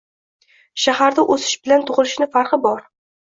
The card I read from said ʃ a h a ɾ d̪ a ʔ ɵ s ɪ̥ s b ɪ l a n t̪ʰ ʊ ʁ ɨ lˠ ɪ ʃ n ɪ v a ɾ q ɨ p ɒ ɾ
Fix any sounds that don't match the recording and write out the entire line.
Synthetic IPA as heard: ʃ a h a ɾ d̪ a ʔ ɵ s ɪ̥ ʃ b ɪ l a n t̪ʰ ʊ ʁ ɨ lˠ ɪ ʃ n ɪ f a ɾ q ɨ b ɒ ɾ